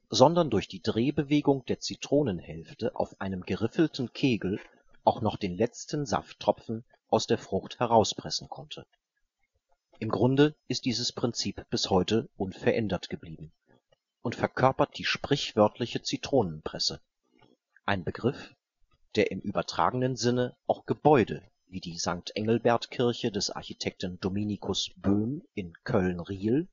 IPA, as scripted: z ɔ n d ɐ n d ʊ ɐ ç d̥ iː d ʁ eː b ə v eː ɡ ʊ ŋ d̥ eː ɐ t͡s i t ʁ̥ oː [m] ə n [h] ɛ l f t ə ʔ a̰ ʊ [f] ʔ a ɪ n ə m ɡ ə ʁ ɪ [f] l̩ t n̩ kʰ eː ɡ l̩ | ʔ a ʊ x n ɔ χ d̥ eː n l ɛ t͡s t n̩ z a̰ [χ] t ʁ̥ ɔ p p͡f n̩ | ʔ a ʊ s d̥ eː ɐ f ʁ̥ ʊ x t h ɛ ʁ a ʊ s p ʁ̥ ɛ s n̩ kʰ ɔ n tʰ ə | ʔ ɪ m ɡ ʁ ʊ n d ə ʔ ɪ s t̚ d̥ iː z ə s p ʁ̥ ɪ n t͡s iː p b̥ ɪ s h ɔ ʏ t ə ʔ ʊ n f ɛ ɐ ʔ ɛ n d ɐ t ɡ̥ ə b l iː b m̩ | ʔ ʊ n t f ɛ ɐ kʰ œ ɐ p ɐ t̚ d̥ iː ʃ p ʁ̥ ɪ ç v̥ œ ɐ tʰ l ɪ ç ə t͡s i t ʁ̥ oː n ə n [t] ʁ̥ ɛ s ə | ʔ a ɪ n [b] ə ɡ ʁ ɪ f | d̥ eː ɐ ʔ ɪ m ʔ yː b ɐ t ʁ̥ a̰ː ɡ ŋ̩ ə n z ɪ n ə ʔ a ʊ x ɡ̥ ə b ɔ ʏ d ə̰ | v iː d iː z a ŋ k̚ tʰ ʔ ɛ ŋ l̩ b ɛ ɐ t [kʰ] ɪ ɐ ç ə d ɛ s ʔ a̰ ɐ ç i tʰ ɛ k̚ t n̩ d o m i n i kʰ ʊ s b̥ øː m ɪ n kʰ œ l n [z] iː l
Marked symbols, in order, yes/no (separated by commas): no, yes, yes, yes, no, no, yes, yes, no